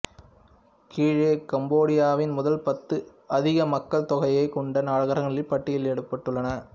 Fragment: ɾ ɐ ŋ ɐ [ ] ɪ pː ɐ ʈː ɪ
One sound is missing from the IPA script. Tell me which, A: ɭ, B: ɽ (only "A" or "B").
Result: A